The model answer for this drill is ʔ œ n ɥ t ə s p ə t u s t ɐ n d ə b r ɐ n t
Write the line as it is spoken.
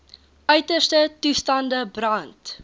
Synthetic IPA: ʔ œ ɥ t ə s t ə t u s t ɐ n d ə b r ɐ n t